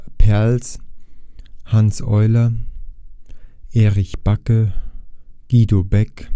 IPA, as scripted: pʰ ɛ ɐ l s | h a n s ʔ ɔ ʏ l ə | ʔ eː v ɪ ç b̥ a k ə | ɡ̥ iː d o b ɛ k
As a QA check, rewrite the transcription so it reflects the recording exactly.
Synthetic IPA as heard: pʰ ɛ ɐ l s | h a n s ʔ ɔ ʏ l ɐ | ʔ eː ʁ ɪ ç b̥ a k ə | ɡ̥ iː d o b ɛ k